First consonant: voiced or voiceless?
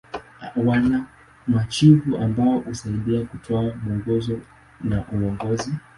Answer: voiced